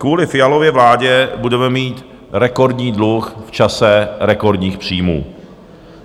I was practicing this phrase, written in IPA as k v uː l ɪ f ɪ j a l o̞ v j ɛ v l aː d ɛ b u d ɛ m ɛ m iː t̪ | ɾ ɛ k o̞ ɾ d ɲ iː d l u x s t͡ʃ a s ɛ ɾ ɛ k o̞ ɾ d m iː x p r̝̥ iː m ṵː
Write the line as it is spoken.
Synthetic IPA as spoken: k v uː l ɪ f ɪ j a l o̞ v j ɛ v l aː ɟ ɛ b u d ɛ m ɛ m iː t̪ | ɾ ɛ k o̞ ɾ d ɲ iː d l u x f t͡ʃ a s ɛ ɾ ɛ k o̞ ɾ d ɲ iː x p r̝̥ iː m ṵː